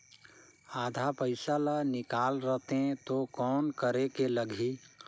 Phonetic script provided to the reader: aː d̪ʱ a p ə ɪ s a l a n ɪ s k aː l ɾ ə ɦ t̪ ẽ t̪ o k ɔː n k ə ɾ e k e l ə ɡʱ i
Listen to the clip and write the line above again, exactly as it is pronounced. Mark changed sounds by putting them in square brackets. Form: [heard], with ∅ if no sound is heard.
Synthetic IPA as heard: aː d̪ʱ a p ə ɪ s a l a n ɪ [∅] k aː l ɾ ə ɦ t̪ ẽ t̪ o k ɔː n k ə ɾ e k e l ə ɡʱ i